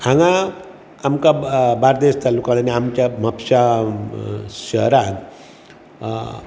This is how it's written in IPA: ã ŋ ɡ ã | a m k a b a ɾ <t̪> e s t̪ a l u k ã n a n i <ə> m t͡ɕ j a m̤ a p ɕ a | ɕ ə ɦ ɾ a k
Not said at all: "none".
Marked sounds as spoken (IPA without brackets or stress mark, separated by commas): d̪, a